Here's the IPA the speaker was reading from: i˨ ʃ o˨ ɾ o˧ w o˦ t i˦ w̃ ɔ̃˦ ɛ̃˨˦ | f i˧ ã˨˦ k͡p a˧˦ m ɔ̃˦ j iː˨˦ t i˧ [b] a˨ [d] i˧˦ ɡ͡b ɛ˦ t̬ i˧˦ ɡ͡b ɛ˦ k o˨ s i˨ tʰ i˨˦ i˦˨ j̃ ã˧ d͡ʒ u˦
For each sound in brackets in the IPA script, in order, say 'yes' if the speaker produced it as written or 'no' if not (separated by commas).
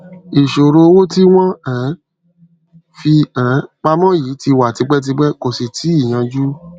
no, no